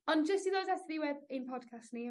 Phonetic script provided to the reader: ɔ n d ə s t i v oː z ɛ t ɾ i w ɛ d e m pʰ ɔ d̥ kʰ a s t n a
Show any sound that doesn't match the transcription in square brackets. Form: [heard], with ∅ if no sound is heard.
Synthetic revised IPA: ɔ n [d͡ʒ] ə s t i [ð] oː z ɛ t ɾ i w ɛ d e [n] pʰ ɔ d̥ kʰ a s t n [i]